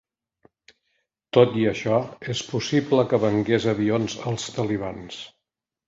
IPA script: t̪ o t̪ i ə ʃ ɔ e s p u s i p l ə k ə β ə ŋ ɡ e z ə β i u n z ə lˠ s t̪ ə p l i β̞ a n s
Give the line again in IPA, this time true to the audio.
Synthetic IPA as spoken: t̪ o t̪ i ə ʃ ɔ e s p u s i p l ə k ə β ə ŋ ɡ e z ə β i o n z ə lˠ s t̪ ə l i β̞ a n s